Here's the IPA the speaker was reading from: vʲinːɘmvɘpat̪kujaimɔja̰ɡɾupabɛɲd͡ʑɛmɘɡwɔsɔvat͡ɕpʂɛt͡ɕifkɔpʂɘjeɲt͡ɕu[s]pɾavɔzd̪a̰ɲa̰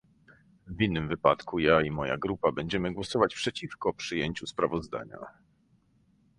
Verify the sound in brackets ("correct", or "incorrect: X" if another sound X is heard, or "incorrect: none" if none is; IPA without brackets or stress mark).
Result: correct